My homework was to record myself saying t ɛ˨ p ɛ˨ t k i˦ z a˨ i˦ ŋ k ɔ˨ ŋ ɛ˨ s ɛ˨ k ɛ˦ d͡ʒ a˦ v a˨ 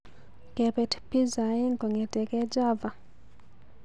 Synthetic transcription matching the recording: k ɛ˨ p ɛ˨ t p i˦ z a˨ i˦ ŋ k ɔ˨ ŋ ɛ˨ t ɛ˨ k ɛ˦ d͡ʒ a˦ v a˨